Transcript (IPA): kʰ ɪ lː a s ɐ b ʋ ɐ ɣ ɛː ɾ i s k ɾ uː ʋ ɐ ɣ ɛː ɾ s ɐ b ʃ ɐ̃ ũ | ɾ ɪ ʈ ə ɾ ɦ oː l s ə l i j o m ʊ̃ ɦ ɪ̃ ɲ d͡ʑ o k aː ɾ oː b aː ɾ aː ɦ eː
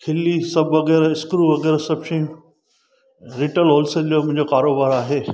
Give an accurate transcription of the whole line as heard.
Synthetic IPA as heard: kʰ ɪ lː i s ɐ b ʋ ɐ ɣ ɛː ɾ ɪ s k ɾ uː ʋ ɐ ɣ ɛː ɾ s ɐ b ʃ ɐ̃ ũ | ɾ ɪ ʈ ə l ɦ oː l s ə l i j o m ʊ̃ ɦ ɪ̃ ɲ d͡ʑ o k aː ɾ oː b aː ɾ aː ɦ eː